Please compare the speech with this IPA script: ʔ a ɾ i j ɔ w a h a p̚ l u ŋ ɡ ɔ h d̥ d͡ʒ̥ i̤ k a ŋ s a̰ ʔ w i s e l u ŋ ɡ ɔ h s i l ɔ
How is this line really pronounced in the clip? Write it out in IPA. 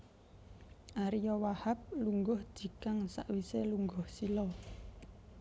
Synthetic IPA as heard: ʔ a ɾ i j ɔ w a h a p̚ l u ŋ ɡ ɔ h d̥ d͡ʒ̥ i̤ k a ŋ s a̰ ʔ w i s e l u ŋ ɡ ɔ h s i l ɔ